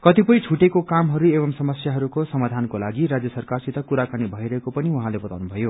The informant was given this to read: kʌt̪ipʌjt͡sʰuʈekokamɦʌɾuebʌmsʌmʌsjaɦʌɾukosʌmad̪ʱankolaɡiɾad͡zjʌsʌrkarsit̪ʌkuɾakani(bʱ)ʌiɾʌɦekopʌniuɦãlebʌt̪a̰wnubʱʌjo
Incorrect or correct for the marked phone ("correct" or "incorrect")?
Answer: correct